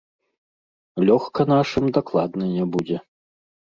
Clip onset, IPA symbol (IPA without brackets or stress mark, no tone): lʲ